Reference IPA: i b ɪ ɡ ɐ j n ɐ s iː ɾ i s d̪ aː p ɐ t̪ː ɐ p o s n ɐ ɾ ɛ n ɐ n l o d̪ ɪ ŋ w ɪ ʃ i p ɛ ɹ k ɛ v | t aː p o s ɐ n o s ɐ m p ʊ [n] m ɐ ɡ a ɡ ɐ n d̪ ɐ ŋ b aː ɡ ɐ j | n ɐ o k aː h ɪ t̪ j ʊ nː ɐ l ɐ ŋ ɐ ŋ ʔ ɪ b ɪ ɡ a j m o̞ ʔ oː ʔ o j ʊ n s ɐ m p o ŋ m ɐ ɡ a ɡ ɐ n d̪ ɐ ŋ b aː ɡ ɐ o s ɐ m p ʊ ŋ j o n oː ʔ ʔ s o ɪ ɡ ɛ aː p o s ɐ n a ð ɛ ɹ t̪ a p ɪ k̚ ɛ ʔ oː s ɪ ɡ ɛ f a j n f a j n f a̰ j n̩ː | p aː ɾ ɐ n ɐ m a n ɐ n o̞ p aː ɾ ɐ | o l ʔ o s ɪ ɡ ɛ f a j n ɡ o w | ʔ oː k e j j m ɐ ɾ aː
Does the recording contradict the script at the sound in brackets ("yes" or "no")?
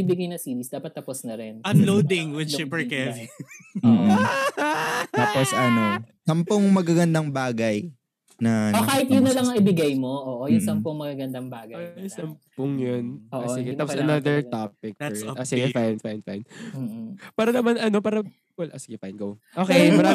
yes